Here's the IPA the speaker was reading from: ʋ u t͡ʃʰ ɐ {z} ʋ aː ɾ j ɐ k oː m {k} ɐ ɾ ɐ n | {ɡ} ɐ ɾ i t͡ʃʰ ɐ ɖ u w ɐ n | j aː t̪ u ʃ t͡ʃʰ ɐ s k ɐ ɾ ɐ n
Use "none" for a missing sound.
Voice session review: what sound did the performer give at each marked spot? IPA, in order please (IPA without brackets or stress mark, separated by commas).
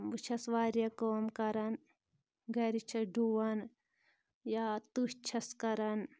s, k, ɡ